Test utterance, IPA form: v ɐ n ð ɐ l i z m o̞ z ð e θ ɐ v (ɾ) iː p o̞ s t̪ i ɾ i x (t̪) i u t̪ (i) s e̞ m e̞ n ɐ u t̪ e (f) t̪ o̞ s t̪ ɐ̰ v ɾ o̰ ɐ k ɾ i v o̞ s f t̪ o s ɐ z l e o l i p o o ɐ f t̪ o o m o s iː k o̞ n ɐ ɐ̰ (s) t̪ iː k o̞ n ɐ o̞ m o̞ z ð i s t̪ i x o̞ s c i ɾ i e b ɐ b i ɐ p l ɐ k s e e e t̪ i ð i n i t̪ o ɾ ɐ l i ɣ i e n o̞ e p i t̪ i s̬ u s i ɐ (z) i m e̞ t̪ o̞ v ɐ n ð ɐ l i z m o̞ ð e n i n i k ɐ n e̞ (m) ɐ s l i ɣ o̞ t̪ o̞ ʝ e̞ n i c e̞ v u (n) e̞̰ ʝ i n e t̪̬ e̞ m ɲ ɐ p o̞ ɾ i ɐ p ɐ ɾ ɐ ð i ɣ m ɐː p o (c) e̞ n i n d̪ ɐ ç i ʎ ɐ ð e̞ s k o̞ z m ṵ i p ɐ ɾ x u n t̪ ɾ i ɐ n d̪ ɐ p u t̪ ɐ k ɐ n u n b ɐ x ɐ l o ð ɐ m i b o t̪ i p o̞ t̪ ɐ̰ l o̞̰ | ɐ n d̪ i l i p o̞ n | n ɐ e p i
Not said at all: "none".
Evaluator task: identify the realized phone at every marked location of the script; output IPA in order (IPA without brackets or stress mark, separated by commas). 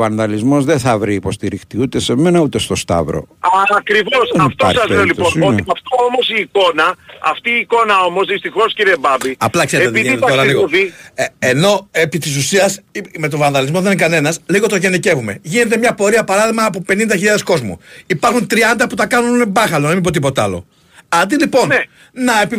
ɾ, t̪, e, s, f, s, n, m, p